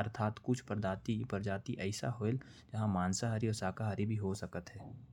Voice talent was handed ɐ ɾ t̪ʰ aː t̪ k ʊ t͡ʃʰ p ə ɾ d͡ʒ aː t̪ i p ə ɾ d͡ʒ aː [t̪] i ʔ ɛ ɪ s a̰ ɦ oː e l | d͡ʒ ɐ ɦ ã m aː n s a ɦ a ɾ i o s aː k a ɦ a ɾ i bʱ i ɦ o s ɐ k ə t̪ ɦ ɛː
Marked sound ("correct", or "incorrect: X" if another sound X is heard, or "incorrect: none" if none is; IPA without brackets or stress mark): correct